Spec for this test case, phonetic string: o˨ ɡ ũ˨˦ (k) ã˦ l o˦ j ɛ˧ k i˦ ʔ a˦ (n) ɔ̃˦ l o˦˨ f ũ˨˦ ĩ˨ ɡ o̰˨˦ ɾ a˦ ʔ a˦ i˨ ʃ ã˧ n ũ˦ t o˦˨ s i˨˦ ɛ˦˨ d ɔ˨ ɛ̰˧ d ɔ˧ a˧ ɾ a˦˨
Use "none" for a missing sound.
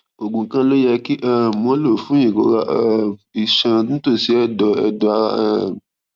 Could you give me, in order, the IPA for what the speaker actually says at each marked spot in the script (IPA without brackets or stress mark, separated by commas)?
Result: k, m